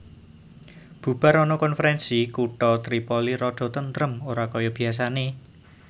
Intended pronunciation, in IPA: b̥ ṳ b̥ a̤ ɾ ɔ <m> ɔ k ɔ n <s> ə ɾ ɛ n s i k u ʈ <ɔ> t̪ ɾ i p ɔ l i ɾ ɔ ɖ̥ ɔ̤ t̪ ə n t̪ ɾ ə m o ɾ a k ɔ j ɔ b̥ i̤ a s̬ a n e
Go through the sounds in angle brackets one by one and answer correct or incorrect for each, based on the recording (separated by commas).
incorrect, incorrect, correct